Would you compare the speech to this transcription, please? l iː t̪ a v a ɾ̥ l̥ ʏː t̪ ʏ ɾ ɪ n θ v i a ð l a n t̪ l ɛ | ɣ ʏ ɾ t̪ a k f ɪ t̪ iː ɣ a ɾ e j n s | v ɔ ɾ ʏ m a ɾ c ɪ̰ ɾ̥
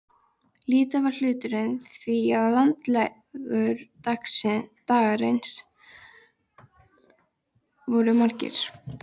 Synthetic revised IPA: l iː t̪ a v a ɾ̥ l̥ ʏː t̪ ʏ ɾ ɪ n θ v i a ð l a n t̪ l ɛ | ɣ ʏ ɾ t̪ a k s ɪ t̪ aː ɣ a ɾ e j n s | v ɔ ɾ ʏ m a ɾ c ɪ̰ ɾ̥